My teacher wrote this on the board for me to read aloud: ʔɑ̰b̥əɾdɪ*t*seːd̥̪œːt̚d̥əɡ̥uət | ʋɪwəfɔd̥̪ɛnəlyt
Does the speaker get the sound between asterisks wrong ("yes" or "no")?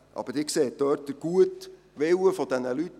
yes